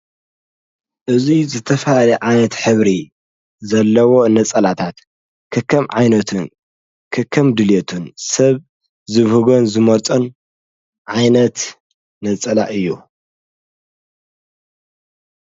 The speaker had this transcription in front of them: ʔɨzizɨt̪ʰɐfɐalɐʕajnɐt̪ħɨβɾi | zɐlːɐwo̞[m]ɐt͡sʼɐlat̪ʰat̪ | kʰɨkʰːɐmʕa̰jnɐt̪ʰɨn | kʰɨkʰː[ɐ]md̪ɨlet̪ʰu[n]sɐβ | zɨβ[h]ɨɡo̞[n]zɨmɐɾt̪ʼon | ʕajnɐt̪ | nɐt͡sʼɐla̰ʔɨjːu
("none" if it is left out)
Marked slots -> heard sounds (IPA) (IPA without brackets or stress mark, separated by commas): n, ɐ, n, h, n